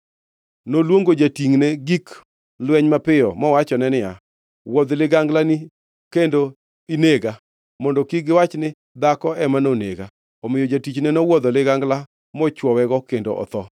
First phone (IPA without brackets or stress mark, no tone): n